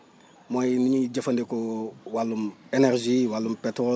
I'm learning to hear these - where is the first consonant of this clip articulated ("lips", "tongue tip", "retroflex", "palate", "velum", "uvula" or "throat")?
lips